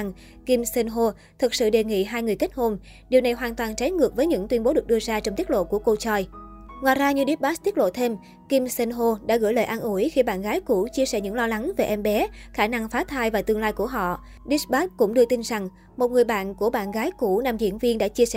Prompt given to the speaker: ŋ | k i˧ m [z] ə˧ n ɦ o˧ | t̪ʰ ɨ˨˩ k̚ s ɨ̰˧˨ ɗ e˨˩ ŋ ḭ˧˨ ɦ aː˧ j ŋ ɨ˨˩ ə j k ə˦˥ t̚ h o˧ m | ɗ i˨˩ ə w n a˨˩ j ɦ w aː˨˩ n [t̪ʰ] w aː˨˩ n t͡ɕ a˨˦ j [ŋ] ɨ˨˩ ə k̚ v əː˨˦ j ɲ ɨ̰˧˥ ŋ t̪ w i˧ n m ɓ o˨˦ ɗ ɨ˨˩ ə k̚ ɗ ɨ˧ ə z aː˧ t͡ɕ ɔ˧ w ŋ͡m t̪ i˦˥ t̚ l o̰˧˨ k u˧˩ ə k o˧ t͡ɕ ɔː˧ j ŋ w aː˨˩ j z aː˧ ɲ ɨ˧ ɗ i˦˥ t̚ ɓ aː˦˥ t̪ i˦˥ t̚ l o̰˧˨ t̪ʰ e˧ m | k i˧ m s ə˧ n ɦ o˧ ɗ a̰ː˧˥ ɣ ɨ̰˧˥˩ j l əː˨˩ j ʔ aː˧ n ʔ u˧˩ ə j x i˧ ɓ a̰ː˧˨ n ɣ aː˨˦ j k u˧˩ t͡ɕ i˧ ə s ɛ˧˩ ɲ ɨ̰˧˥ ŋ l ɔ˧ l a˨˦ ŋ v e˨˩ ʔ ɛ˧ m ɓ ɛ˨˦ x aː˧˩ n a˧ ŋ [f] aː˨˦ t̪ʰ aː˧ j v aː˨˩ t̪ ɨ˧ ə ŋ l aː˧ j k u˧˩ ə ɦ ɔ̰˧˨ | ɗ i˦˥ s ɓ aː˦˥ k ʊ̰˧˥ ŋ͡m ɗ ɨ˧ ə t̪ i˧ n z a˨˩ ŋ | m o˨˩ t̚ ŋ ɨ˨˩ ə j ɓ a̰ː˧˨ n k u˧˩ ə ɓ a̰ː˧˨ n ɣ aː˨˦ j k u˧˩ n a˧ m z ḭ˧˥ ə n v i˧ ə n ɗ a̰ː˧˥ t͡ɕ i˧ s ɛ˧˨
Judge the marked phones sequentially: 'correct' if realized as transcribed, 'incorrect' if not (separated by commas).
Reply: incorrect, incorrect, correct, correct